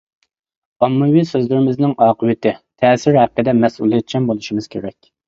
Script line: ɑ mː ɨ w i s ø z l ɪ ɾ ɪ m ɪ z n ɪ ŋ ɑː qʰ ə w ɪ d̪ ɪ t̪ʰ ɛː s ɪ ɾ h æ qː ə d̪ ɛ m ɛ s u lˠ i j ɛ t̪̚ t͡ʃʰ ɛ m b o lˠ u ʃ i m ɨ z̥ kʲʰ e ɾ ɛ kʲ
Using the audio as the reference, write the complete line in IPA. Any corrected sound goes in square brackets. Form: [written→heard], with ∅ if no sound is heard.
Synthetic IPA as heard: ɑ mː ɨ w i s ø z l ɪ ɾ ɪ m ɪ z n ɪ ŋ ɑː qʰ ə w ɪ [d̪→t̪] ɪ t̪ʰ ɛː s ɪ ɾ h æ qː ə d̪ ɛ m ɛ s u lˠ i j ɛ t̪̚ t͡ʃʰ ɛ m b o lˠ u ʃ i m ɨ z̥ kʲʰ e ɾ ɛ kʲ